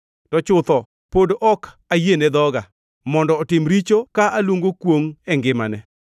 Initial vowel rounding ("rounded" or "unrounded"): rounded